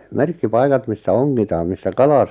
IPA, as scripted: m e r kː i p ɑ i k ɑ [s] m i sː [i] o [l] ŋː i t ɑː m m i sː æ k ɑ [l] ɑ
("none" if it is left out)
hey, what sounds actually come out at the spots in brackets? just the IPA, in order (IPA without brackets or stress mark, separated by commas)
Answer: t, æ, none, l